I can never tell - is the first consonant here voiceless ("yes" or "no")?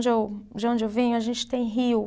no